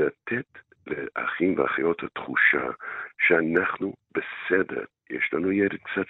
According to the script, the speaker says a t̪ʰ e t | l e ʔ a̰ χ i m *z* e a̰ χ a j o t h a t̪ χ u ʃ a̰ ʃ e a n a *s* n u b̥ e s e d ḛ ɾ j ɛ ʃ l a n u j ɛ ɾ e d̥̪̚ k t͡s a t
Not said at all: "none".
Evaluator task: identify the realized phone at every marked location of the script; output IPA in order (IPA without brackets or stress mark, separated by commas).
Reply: v, χ